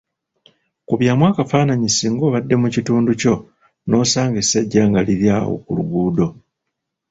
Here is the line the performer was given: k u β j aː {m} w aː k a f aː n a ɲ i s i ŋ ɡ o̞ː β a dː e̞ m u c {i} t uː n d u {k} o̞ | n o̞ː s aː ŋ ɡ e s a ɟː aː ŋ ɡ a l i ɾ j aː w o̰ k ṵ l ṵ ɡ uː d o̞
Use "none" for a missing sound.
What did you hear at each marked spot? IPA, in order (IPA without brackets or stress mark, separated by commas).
m, i, c